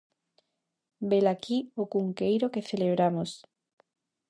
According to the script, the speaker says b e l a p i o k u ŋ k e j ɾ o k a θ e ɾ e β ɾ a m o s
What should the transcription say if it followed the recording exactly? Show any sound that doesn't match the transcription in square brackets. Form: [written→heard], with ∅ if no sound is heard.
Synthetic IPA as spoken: b e l a [p→k] i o k u ŋ k e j ɾ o k [a→e] θ e [ɾ→l] e β ɾ a m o s